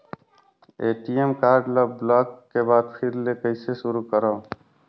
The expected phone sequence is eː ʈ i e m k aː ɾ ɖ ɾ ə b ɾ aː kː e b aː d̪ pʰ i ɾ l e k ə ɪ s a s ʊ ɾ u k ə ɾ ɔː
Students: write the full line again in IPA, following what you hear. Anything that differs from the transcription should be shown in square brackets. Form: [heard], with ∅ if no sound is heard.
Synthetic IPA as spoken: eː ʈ i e m k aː ɾ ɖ [l] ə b [l] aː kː e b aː d̪ pʰ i ɾ l e k ə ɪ s [e] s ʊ ɾ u k ə ɾ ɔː